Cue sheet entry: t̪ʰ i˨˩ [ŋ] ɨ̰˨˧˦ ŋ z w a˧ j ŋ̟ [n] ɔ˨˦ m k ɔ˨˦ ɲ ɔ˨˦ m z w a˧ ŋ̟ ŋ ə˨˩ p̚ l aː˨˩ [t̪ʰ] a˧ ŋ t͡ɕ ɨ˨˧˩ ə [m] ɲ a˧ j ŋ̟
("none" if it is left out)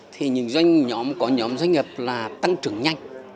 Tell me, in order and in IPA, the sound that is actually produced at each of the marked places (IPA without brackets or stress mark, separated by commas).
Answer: ɲ, ɲ, t̪, ŋ